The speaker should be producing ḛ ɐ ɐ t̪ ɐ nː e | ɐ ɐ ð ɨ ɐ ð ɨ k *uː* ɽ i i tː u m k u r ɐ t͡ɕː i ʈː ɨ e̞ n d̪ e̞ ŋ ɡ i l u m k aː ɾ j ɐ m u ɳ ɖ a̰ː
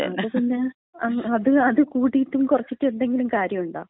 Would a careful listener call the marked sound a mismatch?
no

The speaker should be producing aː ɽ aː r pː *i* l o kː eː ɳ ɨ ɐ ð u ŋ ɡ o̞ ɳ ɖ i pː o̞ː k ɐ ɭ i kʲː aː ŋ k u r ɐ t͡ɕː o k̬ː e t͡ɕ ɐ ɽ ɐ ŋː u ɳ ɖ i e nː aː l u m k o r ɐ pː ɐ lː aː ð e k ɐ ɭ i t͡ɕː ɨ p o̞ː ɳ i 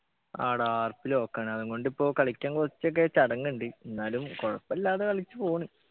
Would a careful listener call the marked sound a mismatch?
no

